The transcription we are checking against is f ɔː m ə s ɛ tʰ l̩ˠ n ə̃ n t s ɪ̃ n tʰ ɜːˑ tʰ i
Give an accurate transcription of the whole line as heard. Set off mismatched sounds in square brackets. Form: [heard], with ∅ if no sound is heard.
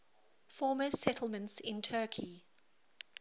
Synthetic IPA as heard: f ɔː m ə s ɛ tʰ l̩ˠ [m] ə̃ n t s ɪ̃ n tʰ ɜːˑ [kʰ] i